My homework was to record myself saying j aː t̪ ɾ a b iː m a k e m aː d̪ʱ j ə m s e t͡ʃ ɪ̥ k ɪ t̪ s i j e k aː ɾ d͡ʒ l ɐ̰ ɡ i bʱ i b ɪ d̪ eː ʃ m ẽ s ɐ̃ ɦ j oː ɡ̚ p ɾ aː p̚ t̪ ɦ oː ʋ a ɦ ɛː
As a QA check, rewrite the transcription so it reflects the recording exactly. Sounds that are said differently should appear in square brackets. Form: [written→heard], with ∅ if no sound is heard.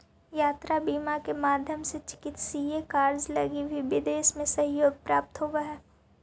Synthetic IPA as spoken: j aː t̪ ɾ a b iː m a k e m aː d̪ʱ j ə m s e t͡ʃ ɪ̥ k ɪ t̪ s i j e k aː ɾ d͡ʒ l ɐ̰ ɡ i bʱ i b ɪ d̪ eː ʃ m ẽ s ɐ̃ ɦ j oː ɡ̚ p ɾ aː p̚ t̪ ɦ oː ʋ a ɦ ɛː

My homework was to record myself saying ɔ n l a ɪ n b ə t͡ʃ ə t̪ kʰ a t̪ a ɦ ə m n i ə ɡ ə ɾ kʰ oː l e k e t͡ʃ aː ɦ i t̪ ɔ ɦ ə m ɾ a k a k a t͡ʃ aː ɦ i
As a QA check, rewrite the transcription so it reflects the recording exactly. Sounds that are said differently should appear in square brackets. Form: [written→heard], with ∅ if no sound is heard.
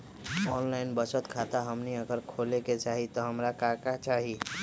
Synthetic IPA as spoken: ɔ n l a ɪ n b ə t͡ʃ ə t̪ kʰ a t̪ a ɦ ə m n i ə ɡ ə ɾ kʰ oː l e k e t͡ʃ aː ɦ i t̪ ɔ ɦ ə m ɾ a k a k a t͡ʃ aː ɦ i

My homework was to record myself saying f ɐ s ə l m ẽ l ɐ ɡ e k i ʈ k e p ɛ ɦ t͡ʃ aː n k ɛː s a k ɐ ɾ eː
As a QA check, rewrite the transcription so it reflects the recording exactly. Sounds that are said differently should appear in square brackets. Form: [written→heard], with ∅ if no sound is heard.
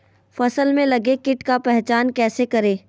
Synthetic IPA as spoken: f ɐ s ə l m ẽ l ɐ ɡ e k [i→ɪ] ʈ k [e→a] p ɛ ɦ t͡ʃ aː n k ɛː s [a→e] k ɐ ɾ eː

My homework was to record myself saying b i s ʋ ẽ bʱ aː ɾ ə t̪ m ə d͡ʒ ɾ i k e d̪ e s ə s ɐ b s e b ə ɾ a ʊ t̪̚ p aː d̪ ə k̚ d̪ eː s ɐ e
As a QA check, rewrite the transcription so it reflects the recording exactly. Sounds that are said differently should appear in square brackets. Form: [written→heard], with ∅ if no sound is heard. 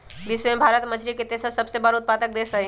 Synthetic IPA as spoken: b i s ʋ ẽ bʱ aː ɾ ə t̪ m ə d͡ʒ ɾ i k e [d̪→t̪] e s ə s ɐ b s e b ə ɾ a ʊ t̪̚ p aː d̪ ə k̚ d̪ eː s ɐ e

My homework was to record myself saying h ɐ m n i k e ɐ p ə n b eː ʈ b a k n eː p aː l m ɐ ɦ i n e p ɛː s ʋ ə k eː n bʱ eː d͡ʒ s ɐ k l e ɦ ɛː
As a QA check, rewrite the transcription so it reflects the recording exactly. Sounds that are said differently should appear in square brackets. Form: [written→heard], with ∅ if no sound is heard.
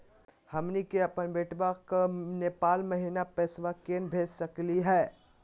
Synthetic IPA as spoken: h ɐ m n i k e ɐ p ə n b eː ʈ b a k n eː p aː l m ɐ ɦ i n [e→a] p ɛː s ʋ [ə→a] k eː n bʱ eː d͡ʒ s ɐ k l [e→i] ɦ ɛː

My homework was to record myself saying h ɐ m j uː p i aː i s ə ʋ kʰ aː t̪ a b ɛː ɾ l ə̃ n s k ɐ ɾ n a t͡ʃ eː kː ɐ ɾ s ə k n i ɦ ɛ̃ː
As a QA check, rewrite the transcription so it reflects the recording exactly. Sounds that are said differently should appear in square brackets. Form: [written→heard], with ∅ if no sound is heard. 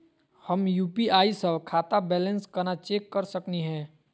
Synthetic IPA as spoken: h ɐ m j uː p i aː i s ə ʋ kʰ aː t̪ a b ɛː [ɾ→∅] l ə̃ n s k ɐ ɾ n a t͡ʃ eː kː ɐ ɾ s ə k n i ɦ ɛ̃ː

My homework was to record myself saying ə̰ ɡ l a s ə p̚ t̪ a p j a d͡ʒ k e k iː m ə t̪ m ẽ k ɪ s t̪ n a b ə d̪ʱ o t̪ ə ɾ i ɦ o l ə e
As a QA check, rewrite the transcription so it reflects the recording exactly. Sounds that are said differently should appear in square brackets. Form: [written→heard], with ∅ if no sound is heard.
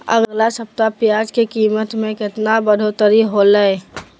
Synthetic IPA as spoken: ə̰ ɡ l a s ə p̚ t̪ a p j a d͡ʒ k e k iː m ə t̪ m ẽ k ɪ [s→∅] t̪ n a b ə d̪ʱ o t̪ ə ɾ i ɦ o l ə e

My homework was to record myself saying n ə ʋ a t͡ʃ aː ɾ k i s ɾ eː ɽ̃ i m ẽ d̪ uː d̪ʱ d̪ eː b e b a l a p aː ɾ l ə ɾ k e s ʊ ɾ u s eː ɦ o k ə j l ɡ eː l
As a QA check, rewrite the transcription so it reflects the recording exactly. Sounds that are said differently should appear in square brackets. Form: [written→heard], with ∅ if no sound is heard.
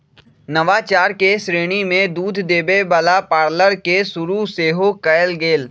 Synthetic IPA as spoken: n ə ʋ a t͡ʃ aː ɾ k [i→e] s ɾ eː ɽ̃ i m ẽ d̪ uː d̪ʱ d̪ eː b e b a l a p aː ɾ l ə ɾ k e s ʊ ɾ u s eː ɦ o k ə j l ɡ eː l

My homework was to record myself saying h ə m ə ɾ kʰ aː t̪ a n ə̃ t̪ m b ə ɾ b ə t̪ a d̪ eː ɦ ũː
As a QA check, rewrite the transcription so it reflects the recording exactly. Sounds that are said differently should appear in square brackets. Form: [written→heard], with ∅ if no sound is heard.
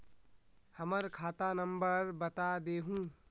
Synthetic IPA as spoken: h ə m ə ɾ kʰ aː t̪ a n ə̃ [t̪→∅] m b ə ɾ b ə t̪ a d̪ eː ɦ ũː

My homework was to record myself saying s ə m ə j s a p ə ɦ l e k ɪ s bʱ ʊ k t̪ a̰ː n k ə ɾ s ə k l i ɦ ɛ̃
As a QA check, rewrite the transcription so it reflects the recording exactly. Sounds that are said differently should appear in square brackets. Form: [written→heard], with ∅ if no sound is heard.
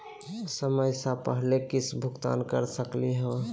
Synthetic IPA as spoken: s ə m ə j s a p ə ɦ l e k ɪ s bʱ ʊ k t̪ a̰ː n k ə ɾ s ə k l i ɦ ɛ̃

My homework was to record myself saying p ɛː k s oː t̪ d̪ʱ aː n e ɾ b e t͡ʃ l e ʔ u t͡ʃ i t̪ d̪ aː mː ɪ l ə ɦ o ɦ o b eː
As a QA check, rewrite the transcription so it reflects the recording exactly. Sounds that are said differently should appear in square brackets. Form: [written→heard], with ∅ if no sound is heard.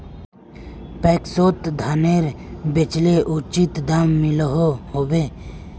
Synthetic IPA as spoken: p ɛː k s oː t̪ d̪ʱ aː n e ɾ b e t͡ʃ l e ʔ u t͡ʃ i t̪ d̪ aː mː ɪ l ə ɦ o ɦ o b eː

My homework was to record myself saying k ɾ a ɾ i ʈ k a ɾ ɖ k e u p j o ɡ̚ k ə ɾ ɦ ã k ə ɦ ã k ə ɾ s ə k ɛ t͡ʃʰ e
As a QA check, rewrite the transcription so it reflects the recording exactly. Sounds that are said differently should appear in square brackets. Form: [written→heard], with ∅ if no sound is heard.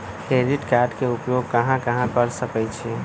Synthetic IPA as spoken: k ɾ [a→e] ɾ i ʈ k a ɾ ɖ k e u p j o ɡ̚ k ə [ɾ→∅] ɦ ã k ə ɦ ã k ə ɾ s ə k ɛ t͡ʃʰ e

